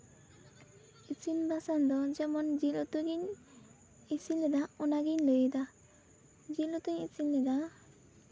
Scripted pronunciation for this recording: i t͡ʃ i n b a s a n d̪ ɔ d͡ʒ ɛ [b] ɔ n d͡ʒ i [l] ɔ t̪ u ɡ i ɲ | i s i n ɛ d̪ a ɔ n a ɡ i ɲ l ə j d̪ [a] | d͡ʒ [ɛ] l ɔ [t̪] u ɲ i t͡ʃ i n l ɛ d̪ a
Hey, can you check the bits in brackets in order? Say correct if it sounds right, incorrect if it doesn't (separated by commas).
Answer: incorrect, correct, correct, incorrect, correct